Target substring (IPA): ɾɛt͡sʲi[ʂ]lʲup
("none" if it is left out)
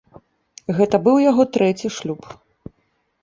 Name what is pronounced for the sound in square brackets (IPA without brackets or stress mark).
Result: ʂ